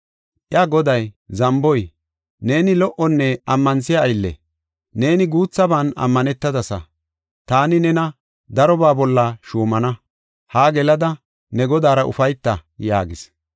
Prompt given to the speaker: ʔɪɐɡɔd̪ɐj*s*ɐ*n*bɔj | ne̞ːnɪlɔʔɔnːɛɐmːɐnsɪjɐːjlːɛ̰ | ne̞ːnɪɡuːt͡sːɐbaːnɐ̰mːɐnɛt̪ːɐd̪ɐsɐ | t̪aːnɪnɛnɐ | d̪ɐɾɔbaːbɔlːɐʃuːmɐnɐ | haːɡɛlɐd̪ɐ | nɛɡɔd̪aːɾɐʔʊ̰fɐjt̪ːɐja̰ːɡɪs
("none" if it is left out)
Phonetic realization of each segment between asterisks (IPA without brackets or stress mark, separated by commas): z, m